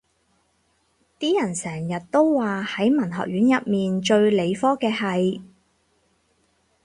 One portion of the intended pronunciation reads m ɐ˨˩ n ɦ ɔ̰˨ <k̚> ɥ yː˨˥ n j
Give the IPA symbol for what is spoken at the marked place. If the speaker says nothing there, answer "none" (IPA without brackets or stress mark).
k̚